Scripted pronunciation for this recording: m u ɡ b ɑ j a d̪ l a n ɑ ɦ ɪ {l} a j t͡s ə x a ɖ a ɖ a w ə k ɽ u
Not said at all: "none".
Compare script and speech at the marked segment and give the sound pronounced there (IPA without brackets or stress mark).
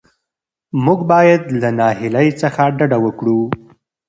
l